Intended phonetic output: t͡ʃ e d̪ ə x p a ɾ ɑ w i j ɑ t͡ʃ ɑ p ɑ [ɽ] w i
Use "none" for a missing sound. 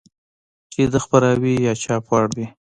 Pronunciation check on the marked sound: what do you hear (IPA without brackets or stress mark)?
ɽ